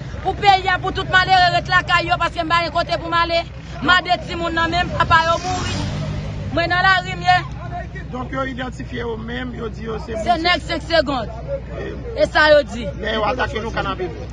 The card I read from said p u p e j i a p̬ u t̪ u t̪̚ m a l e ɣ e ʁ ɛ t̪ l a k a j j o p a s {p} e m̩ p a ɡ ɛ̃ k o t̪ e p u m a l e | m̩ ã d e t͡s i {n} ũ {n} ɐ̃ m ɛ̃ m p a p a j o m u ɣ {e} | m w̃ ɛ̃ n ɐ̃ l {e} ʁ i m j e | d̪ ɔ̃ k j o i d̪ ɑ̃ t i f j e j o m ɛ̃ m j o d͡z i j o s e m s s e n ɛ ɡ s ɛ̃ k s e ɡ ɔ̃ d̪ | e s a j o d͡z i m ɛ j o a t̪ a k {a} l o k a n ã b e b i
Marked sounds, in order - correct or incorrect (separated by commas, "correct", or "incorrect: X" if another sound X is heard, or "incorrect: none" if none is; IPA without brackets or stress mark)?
incorrect: k, incorrect: m, incorrect: nː, incorrect: i, incorrect: a, incorrect: e